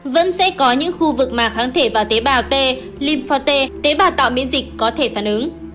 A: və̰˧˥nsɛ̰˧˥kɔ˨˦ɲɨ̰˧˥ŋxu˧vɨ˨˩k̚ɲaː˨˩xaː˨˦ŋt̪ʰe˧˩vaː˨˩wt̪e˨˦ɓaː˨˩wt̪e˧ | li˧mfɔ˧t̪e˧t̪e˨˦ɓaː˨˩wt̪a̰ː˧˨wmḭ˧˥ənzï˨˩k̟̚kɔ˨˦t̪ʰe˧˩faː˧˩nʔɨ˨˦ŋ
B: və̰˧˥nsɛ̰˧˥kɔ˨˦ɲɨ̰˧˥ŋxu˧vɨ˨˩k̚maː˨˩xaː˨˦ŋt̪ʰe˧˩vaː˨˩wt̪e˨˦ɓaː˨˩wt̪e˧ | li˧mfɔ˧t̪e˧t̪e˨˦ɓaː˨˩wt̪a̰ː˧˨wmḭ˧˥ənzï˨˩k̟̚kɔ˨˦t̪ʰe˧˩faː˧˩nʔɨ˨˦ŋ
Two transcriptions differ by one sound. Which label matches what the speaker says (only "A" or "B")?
B